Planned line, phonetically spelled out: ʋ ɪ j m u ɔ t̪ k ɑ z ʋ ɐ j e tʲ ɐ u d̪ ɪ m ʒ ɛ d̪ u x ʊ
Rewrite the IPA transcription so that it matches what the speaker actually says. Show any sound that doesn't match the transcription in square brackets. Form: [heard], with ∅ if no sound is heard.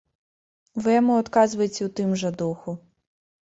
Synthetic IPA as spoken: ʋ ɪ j m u ɔ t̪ k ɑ z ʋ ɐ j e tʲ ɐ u [t̪] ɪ m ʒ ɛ d̪ u x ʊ

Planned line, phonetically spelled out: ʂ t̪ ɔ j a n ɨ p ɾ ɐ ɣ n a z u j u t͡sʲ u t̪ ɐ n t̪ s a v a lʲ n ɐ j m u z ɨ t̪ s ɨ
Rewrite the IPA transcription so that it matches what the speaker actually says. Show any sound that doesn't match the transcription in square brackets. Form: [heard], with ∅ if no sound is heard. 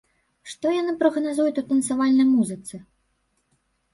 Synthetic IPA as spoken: ʂ t̪ ɔ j a n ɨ p ɾ ɐ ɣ n a z u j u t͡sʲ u t̪ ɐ n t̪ s a v a lʲ n ɐ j m u z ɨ t̪ s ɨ

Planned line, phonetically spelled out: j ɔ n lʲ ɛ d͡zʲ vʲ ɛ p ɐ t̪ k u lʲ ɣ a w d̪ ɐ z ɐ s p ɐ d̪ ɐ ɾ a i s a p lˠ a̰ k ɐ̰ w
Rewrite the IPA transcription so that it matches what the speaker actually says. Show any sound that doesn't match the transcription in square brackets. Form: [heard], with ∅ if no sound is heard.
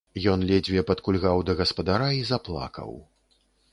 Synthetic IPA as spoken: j ɔ n lʲ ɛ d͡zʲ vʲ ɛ p ɐ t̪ k u lʲ ɣ a w d̪ ɐ [ɣ] ɐ s p ɐ d̪ [a] ɾ a i [z] a p lˠ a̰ k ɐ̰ w

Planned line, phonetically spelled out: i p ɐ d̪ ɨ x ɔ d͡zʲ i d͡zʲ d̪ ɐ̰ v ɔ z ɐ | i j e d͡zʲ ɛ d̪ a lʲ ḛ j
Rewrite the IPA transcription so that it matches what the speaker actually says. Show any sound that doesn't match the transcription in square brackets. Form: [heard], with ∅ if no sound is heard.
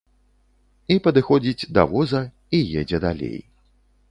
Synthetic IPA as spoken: i p ɐ d̪ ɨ x ɔ d͡zʲ i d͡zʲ d̪ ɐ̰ v ɔ z ɐ | i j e d͡zʲ ɛ d̪ a lʲ ḛ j

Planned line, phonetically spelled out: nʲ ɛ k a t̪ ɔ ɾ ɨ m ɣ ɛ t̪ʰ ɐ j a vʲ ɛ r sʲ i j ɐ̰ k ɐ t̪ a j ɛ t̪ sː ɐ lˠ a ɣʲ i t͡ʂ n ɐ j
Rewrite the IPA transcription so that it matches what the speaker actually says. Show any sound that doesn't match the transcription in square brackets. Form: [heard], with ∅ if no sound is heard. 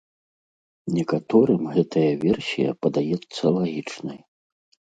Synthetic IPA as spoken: nʲ ɛ k a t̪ ɔ ɾ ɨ m ɣ ɛ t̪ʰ ɐ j [ɐ] vʲ ɛ r sʲ i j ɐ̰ [p] ɐ [d̪] a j ɛ t̪ sː ɐ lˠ a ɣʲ i t͡ʂ n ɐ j

